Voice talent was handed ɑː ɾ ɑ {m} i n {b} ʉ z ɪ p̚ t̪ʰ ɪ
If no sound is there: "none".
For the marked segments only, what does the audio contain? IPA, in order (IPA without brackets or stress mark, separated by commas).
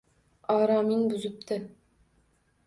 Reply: m, b